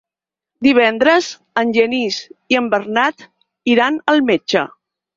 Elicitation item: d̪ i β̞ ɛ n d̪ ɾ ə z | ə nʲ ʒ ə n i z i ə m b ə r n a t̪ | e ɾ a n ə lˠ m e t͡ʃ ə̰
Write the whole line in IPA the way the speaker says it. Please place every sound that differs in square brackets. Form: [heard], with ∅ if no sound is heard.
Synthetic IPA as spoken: d̪ i β̞ ɛ n d̪ ɾ ə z | ə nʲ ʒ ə n i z i ə m b ə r n a t̪ | [i] ɾ a n ə lˠ m e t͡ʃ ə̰